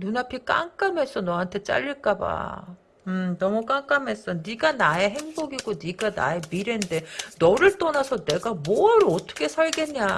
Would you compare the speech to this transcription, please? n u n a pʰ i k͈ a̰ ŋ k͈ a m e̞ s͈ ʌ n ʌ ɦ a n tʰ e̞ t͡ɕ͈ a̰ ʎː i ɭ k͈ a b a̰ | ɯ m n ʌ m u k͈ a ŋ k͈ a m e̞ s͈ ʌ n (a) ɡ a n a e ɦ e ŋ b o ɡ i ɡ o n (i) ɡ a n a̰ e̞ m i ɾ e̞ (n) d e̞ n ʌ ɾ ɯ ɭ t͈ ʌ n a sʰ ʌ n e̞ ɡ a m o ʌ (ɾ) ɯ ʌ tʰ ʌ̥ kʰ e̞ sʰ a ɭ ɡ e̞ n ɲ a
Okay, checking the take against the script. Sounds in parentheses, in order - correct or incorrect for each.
incorrect, correct, correct, correct

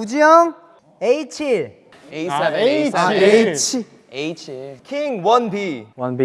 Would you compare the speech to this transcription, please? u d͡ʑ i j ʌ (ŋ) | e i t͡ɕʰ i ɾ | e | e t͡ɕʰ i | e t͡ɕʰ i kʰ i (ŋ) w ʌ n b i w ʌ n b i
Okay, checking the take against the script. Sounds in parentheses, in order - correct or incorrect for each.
correct, correct

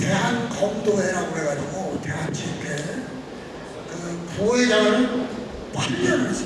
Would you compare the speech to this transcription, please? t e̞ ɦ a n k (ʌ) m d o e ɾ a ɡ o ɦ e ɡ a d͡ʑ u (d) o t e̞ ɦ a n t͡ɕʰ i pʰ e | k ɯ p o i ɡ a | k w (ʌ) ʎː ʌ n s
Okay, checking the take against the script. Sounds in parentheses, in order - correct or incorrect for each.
correct, incorrect, incorrect

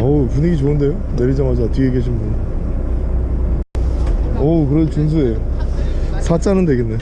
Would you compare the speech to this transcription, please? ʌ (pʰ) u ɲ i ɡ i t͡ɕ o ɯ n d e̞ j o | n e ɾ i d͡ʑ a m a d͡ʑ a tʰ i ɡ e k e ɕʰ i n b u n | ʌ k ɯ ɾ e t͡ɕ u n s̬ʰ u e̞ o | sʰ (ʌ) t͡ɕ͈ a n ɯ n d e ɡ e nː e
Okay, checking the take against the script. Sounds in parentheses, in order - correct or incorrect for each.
incorrect, incorrect

